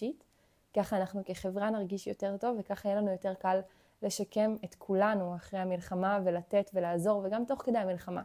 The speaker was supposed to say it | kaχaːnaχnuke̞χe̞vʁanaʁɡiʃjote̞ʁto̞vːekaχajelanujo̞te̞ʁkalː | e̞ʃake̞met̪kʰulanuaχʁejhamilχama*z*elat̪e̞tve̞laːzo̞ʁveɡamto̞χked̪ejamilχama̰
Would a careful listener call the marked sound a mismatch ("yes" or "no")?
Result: yes